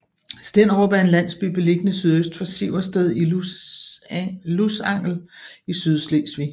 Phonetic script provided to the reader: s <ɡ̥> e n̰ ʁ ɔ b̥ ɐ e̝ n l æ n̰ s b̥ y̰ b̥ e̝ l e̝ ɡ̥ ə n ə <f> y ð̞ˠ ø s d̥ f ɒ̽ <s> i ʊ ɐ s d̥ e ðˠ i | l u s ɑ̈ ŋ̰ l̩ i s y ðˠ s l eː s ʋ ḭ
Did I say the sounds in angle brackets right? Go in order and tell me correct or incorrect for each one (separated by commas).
incorrect, incorrect, correct